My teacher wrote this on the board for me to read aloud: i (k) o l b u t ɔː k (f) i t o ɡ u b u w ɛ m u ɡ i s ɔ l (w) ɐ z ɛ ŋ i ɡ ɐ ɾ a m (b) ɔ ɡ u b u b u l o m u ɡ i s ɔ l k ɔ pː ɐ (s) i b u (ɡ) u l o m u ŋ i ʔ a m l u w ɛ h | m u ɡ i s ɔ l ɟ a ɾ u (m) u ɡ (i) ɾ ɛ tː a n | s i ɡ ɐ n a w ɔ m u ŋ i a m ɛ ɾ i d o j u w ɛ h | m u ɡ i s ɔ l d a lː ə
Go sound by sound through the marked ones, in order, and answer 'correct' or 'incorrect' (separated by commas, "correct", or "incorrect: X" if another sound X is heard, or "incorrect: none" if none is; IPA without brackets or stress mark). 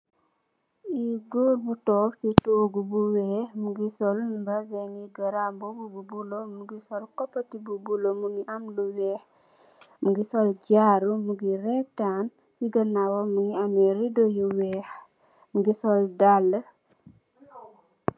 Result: incorrect: ɡ, incorrect: s, incorrect: b, correct, incorrect: t, incorrect: b, correct, correct